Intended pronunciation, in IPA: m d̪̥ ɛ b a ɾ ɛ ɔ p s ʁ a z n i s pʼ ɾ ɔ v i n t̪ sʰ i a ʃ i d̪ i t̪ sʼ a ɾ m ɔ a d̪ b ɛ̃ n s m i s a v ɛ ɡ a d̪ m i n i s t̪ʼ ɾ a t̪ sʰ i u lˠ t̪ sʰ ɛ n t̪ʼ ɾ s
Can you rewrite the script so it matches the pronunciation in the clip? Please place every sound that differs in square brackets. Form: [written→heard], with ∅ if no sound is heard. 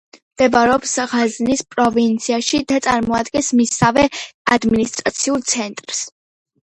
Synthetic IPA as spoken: m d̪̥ ɛ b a ɾ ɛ ɔ p s ʁ a z n i s pʼ ɾ ɔ v i n t̪ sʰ i a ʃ i d̪ [i→a] t̪ sʼ a ɾ m ɔ a d̪ [b→ɡ] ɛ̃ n s m i s a v ɛ [ɡ→∅] a d̪ m i n i s t̪ʼ ɾ a t̪ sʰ i u lˠ t̪ sʰ ɛ n t̪ʼ ɾ s

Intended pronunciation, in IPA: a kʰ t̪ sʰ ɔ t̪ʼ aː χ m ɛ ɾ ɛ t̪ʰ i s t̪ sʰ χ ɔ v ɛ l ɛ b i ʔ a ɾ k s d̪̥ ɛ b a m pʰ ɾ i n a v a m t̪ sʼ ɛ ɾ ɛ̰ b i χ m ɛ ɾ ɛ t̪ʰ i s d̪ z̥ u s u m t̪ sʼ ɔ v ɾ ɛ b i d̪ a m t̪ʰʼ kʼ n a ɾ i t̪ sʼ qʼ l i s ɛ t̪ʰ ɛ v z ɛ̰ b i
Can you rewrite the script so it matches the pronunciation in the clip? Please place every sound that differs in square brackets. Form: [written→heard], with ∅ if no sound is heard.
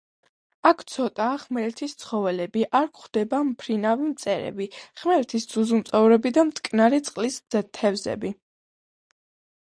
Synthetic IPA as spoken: a kʰ t̪ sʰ ɔ t̪ʼ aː χ m ɛ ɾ ɛ t̪ʰ i s t̪ sʰ χ ɔ v ɛ l ɛ b i ʔ a ɾ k [s→χ] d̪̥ ɛ b a m pʰ ɾ i n a v [a→i] m t̪ sʼ ɛ ɾ ɛ̰ b i χ m ɛ ɾ ɛ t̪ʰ i s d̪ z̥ u [s→z] u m t̪ sʼ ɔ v ɾ ɛ b i d̪ a m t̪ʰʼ kʼ n a ɾ i t̪ sʼ qʼ l i s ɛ t̪ʰ ɛ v z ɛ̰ b i

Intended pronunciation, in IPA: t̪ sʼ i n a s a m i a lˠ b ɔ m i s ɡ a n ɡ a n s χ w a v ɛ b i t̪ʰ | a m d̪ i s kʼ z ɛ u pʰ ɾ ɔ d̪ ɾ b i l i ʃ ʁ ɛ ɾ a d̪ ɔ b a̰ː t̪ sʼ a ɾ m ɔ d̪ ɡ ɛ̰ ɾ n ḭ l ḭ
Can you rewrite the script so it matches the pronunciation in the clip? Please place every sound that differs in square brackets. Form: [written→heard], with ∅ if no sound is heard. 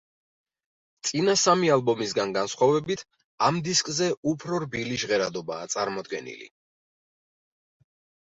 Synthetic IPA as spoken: t̪ sʼ i n a s a m i a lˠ b ɔ m i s ɡ a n ɡ a n s χ w a v ɛ b i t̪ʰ | a m d̪ i s kʼ z ɛ u pʰ ɾ ɔ [d̪→∅] ɾ b i l i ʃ ʁ ɛ ɾ a d̪ ɔ b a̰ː t̪ sʼ a ɾ m ɔ d̪ ɡ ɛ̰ [ɾ→∅] n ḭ l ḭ

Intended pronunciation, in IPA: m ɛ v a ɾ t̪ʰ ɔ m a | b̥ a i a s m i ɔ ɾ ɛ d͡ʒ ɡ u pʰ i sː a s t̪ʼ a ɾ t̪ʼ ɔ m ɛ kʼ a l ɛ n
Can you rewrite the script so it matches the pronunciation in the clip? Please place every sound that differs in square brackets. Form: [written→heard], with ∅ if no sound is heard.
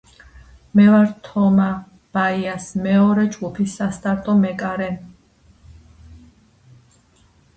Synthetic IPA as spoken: m ɛ v a ɾ t̪ʰ ɔ m a | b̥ a i a s m [i→ɛ] ɔ ɾ ɛ d͡ʒ ɡ u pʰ i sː a s t̪ʼ a ɾ t̪ʼ ɔ m ɛ kʼ a [l→ɾ] ɛ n

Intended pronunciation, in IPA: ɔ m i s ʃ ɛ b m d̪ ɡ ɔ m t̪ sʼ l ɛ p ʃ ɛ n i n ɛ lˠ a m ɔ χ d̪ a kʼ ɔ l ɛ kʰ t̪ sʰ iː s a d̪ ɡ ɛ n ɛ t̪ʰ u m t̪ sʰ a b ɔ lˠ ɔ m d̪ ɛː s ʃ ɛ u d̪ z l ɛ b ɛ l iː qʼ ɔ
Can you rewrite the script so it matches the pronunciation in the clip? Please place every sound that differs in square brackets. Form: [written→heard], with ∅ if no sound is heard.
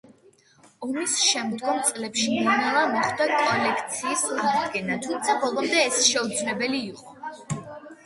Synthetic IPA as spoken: ɔ m i s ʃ ɛ [b→∅] m d̪ ɡ ɔ m t̪ sʼ l ɛ p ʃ [ɛ→i] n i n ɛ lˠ a m ɔ χ d̪ a kʼ ɔ l ɛ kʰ t̪ sʰ iː s a d̪ ɡ ɛ n [ɛ→a] t̪ʰ u m t̪ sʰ a b ɔ lˠ ɔ m d̪ ɛː s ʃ ɛ u d̪ z l ɛ b ɛ l iː qʼ ɔ

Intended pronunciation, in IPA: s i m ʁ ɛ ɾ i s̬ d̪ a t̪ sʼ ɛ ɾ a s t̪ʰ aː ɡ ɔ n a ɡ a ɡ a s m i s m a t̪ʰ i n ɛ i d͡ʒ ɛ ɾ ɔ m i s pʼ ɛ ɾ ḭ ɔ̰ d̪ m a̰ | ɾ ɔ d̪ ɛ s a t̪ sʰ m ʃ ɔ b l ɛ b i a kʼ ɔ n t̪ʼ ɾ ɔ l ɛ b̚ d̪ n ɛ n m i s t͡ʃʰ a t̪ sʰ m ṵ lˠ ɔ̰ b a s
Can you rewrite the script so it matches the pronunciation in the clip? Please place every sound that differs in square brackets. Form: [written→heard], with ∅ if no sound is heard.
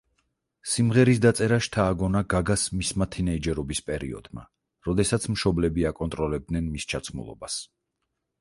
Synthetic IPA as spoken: s i m ʁ ɛ ɾ i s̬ d̪ a t̪ sʼ ɛ ɾ a [s→ʃ] t̪ʰ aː ɡ ɔ n a ɡ a ɡ a s m i s m a t̪ʰ i n ɛ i d͡ʒ ɛ ɾ ɔ [m→b] i s pʼ ɛ ɾ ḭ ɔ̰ d̪ m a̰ | ɾ ɔ d̪ ɛ s a t̪ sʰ m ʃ ɔ b l ɛ b i a kʼ ɔ n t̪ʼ ɾ ɔ l ɛ b̚ d̪ n ɛ n m i s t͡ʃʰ a t̪ sʰ m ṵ lˠ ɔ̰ b a s

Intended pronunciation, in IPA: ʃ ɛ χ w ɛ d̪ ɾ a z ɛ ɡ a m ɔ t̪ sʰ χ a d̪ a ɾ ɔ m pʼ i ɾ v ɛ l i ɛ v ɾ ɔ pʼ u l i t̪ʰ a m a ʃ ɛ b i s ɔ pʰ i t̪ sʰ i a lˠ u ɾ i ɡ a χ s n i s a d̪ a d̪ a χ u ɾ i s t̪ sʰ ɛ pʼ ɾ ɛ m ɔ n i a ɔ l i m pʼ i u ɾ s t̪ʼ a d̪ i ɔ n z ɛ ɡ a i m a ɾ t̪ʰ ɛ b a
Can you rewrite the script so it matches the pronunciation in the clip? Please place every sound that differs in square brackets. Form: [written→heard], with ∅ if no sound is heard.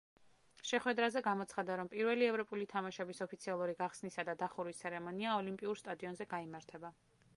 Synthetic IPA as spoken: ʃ ɛ χ w ɛ d̪ ɾ a z ɛ ɡ a m ɔ t̪ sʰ χ a d̪ a ɾ ɔ m pʼ i ɾ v ɛ l i ɛ v ɾ ɔ pʼ u l i t̪ʰ a m a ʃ ɛ b i s ɔ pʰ i t̪ sʰ i a lˠ u ɾ i ɡ a χ s n i s a d̪ a d̪ a χ u ɾ i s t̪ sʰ ɛ [pʼ→∅] ɾ ɛ m ɔ n i a ɔ l i m pʼ i u ɾ s t̪ʼ a d̪ i ɔ n z ɛ ɡ a i m a ɾ t̪ʰ ɛ b a

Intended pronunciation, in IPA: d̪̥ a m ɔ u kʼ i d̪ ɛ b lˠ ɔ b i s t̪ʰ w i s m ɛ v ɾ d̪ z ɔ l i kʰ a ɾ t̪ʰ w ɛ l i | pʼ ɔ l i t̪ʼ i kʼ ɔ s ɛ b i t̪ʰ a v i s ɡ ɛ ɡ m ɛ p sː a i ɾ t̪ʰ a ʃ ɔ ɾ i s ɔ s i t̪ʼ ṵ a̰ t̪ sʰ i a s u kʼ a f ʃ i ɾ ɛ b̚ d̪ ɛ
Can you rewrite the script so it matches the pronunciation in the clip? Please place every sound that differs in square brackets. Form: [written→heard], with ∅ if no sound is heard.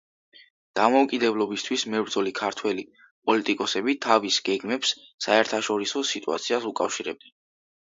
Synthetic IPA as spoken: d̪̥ a m ɔ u kʼ i d̪ ɛ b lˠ ɔ b i s t̪ʰ w i s m ɛ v ɾ d̪ z ɔ l i kʰ a ɾ t̪ʰ w ɛ l i | pʼ ɔ l i t̪ʼ i kʼ ɔ s ɛ b i t̪ʰ a v i s ɡ ɛ ɡ m ɛ p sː a [i→ɛ] ɾ t̪ʰ a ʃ ɔ ɾ i s ɔ s i t̪ʼ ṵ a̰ t̪ sʰ i a s u kʼ a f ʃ i ɾ ɛ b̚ d̪ ɛ

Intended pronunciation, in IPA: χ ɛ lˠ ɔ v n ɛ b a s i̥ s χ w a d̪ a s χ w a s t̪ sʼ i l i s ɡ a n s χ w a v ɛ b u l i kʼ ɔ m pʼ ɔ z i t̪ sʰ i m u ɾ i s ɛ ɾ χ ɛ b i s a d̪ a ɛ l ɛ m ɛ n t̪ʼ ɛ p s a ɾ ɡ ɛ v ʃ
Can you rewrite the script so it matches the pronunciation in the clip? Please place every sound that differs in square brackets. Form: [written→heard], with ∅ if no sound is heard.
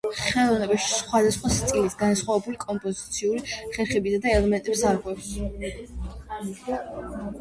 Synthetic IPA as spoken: χ ɛ lˠ ɔ v n ɛ b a [s→ʃ] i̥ s χ w a d̪ a s χ w a s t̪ sʼ i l i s ɡ a n s χ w a v ɛ b u l i kʼ ɔ m pʼ ɔ z i t̪ sʰ i [m→∅] u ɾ i [s→χ] ɛ ɾ χ ɛ b i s a d̪ a ɛ l ɛ m ɛ n t̪ʼ ɛ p s a ɾ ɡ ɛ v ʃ

